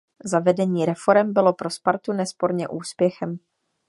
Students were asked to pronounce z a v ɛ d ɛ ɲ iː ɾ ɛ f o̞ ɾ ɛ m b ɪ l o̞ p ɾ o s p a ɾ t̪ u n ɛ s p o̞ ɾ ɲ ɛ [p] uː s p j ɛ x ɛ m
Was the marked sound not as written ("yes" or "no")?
yes